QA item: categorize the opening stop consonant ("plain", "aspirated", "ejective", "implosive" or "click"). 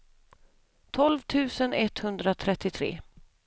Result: aspirated